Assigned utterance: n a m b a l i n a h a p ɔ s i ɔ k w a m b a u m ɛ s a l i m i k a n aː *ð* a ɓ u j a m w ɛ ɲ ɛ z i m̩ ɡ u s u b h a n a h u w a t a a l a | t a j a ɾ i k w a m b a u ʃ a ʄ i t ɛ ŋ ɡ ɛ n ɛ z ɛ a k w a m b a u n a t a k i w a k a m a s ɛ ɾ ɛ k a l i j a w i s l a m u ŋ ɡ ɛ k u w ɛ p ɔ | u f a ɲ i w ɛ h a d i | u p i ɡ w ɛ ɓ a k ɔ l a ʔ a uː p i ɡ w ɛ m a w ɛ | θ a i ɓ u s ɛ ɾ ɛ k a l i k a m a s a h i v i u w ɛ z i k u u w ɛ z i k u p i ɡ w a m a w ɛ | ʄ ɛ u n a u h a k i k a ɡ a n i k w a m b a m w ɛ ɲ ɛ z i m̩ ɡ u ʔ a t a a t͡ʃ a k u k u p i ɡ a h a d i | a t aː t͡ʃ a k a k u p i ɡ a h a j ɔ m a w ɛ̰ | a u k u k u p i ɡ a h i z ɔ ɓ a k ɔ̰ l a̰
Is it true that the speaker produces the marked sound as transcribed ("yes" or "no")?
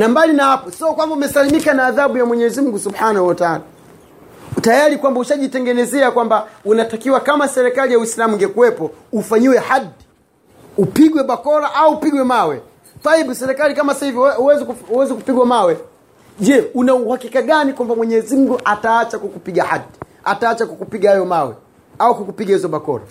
yes